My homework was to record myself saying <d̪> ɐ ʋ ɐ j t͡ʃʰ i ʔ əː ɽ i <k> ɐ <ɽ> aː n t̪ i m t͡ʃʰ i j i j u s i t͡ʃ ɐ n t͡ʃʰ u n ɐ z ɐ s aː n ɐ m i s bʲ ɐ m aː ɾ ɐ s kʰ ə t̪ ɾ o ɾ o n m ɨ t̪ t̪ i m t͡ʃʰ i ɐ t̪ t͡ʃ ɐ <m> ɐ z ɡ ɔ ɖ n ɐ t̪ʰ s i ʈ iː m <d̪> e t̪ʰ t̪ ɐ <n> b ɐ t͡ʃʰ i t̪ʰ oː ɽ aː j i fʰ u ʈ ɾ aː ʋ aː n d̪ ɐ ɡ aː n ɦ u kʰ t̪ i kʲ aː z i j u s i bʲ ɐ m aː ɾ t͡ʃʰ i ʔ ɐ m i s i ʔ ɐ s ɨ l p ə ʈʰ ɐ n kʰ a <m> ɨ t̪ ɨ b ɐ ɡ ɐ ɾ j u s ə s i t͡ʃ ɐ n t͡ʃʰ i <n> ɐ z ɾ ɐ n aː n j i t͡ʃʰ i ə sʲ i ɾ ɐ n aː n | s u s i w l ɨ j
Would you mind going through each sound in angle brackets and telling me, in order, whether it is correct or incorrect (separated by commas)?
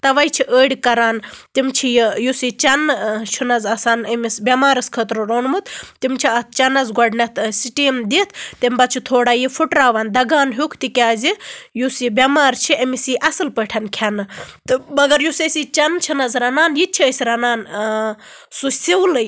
incorrect, correct, incorrect, incorrect, correct, incorrect, incorrect, correct